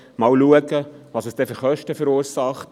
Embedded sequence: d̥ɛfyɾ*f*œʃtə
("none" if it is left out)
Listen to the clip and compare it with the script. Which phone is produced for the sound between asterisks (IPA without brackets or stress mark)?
χ